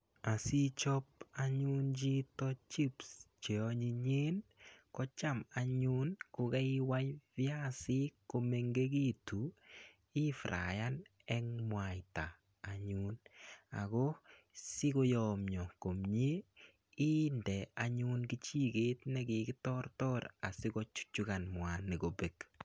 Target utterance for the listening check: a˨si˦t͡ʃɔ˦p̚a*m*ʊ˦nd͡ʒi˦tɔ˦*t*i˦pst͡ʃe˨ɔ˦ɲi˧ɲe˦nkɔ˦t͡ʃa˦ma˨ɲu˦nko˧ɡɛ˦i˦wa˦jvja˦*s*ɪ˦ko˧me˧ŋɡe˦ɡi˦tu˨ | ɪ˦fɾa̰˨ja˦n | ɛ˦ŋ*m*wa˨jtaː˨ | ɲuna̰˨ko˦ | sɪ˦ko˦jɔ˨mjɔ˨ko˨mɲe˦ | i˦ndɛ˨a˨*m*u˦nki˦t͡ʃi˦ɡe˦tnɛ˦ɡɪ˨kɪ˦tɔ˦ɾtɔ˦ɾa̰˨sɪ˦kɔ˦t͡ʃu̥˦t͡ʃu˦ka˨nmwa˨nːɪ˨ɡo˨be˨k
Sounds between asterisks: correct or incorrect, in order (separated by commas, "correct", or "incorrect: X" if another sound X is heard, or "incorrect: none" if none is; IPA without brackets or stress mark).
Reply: incorrect: ɲ, incorrect: t͡ʃ, correct, correct, incorrect: ɲ